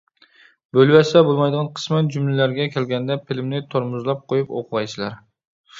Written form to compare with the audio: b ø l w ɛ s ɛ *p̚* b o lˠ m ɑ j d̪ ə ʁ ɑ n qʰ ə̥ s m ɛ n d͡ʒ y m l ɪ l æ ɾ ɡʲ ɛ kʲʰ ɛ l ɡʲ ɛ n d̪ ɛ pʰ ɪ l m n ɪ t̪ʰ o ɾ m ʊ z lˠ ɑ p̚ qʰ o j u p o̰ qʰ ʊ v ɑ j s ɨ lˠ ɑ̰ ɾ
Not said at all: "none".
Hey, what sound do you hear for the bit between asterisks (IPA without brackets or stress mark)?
none